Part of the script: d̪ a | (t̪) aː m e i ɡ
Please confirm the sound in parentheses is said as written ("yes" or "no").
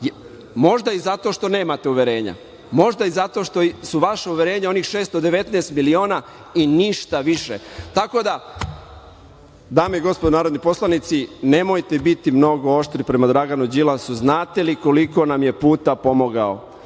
no